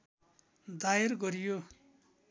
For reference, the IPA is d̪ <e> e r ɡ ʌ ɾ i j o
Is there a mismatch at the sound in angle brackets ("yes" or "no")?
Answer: yes